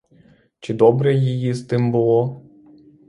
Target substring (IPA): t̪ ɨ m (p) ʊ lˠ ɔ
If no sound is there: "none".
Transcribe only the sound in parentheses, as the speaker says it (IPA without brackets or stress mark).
b